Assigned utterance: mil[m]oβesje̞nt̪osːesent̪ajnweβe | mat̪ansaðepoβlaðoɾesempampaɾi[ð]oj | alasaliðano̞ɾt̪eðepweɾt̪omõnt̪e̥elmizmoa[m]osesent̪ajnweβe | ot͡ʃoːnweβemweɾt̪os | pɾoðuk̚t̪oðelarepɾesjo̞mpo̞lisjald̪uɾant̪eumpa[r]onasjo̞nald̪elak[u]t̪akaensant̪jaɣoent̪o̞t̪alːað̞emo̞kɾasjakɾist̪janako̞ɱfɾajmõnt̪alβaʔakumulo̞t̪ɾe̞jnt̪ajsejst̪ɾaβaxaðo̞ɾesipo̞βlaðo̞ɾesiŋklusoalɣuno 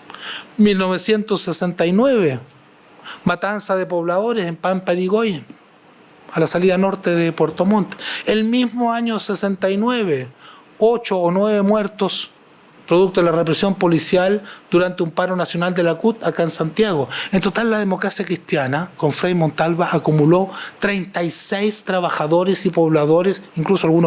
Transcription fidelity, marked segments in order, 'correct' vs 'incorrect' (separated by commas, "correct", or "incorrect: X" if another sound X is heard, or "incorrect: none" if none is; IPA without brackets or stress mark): incorrect: n, incorrect: ɣ, incorrect: ɲ, incorrect: ɾ, correct